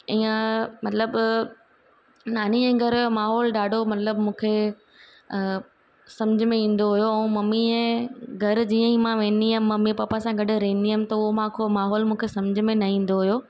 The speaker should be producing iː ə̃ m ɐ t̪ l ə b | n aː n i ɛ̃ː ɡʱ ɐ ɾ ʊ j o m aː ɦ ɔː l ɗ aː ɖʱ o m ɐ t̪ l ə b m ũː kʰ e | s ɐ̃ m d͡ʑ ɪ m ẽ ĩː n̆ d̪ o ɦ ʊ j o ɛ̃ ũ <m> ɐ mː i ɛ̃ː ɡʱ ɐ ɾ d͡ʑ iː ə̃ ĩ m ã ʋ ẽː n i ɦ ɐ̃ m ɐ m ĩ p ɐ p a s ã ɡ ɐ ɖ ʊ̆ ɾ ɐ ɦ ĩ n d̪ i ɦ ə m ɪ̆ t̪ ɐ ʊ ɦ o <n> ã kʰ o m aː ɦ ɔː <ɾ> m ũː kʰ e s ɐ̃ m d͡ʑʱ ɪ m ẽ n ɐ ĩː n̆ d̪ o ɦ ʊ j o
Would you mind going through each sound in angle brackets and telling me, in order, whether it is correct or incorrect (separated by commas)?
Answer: correct, incorrect, incorrect